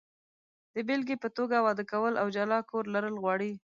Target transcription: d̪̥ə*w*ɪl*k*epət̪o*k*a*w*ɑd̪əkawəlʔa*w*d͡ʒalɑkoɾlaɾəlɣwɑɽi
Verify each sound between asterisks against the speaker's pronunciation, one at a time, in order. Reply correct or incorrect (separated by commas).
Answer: incorrect, incorrect, incorrect, correct, correct